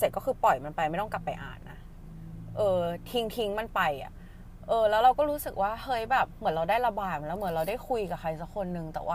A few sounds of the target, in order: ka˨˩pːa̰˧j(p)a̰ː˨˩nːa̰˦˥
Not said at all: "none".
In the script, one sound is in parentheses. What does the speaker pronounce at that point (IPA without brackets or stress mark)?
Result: ʔ